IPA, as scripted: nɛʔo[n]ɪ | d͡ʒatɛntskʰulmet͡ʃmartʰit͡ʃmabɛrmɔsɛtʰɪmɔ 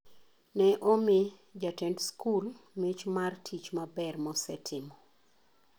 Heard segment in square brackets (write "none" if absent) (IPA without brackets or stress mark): m